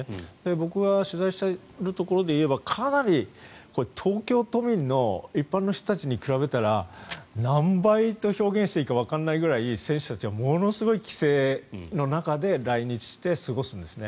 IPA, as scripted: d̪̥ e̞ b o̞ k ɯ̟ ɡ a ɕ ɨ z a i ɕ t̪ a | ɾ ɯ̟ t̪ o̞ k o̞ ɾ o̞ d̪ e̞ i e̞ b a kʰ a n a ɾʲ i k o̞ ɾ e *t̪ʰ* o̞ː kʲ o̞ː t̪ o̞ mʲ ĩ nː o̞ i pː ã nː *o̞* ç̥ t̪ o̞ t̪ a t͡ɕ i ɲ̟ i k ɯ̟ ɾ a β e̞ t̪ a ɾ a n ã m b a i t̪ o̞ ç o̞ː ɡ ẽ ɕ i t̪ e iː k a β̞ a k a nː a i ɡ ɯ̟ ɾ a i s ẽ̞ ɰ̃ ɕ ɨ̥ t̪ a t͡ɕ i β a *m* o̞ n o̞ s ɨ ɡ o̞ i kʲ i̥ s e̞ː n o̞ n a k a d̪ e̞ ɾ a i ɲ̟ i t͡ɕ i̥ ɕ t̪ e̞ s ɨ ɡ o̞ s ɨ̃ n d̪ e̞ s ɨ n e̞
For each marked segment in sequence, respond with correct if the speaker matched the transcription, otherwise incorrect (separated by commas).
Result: correct, correct, correct